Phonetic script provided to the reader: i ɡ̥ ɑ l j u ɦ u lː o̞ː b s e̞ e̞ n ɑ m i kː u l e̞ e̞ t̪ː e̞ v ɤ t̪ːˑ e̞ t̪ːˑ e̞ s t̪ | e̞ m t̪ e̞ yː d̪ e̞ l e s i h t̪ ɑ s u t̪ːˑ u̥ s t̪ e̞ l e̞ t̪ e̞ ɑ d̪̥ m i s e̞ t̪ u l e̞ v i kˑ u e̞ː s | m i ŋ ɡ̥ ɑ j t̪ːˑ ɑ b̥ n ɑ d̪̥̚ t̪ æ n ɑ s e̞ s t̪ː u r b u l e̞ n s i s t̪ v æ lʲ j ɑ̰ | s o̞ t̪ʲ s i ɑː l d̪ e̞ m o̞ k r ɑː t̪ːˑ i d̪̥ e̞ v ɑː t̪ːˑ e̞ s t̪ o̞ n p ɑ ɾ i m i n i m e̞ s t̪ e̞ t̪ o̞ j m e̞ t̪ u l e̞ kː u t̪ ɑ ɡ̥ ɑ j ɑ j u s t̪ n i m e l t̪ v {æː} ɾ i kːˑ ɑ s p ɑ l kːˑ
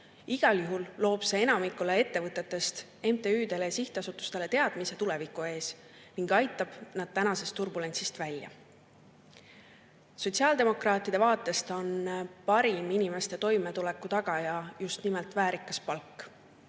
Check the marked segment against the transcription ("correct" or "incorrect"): correct